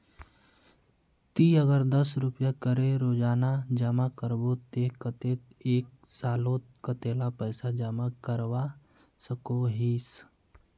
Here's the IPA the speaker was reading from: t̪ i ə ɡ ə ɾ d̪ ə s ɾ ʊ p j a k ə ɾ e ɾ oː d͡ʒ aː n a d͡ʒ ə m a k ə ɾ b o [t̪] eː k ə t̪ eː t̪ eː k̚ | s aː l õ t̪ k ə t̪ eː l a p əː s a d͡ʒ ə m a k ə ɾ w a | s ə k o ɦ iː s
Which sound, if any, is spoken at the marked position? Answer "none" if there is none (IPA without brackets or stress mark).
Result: t̪